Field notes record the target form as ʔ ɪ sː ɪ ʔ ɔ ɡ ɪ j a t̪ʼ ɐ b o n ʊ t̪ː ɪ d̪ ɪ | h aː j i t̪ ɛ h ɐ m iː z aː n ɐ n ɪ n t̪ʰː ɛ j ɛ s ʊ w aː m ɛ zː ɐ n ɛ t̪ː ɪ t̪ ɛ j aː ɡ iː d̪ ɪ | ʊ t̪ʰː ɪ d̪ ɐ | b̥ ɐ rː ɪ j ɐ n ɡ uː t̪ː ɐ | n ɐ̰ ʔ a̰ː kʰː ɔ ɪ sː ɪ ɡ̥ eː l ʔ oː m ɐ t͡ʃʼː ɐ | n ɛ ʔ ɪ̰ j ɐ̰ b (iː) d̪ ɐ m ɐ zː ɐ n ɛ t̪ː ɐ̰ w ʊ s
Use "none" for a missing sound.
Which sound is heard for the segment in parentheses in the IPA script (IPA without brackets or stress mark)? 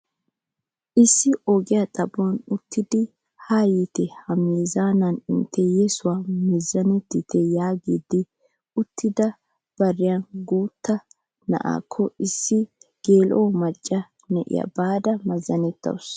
aː